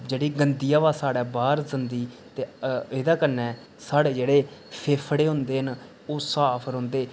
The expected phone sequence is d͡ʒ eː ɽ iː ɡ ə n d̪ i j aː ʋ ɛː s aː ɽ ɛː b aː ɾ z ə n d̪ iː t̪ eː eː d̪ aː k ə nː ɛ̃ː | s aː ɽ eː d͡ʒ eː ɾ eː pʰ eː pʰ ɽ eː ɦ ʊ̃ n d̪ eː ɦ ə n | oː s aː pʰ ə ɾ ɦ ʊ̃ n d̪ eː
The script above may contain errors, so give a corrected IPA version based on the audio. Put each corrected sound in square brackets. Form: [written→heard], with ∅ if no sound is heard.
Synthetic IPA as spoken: d͡ʒ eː ɽ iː ɡ ə n d̪ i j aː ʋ [ɛː→aː] s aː ɽ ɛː b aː ɾ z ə n d̪ iː t̪ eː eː d̪ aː k ə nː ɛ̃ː | s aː ɽ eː d͡ʒ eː [ɾ→ɽ] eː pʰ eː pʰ ɽ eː ɦ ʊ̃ n d̪ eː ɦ ə n | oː s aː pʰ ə ɾ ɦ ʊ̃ n d̪ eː